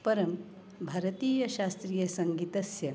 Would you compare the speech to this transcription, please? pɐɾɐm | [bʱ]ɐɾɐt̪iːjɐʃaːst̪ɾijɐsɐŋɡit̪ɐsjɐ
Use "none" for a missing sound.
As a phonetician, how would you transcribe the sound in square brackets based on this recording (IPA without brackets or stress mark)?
bʱ